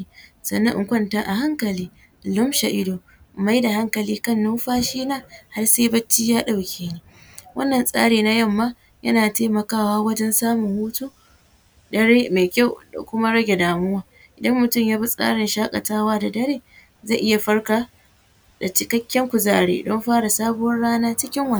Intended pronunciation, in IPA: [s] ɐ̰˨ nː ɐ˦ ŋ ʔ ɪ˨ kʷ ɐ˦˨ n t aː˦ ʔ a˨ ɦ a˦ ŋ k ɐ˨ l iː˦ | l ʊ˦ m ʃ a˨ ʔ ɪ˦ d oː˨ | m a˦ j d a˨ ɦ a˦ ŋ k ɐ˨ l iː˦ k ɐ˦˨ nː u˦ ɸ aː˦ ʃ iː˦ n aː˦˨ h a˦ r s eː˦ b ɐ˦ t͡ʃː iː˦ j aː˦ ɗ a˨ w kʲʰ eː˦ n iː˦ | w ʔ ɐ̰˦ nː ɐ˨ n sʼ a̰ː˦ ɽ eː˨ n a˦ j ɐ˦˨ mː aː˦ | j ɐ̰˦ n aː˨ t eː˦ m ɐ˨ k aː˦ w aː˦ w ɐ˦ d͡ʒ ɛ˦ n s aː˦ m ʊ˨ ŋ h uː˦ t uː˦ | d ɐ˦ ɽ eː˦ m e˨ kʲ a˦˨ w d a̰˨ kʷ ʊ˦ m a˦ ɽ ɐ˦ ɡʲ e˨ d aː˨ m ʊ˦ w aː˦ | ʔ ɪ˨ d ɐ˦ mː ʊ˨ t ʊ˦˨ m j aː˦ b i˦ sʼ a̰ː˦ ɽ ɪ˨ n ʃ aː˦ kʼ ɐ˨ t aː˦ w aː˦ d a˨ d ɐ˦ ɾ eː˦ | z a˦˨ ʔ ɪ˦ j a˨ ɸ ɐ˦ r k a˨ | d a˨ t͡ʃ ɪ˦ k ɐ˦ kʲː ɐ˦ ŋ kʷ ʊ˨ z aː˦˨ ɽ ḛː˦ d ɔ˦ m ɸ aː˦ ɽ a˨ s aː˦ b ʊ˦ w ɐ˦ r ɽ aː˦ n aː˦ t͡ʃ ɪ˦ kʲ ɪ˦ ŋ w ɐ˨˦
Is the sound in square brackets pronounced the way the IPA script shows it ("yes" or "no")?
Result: yes